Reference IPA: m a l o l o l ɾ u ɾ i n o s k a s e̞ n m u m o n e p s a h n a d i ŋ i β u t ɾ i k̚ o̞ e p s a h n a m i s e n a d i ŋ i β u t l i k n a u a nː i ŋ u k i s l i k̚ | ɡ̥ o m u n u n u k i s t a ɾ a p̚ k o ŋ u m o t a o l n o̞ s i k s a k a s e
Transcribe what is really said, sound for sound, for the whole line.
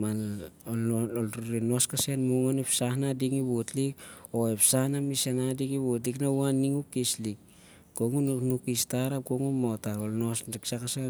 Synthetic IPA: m a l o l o l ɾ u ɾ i n o s k a s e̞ n m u ŋ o n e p s a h n a d i ŋ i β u t l i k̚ o̞ e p s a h n a m i s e n a d i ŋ i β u t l i k n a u a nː i ŋ u k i s l i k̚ | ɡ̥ o ŋ u n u n u k i s t a ɾ a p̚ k o ŋ u m o t a o l n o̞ s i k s a k a s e